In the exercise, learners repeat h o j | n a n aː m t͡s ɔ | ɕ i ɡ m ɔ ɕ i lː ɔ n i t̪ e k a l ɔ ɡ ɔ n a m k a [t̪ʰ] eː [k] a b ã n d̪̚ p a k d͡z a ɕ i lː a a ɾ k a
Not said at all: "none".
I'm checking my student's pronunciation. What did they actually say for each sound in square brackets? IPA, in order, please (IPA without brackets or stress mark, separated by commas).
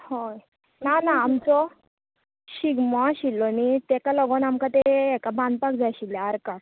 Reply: t̪, k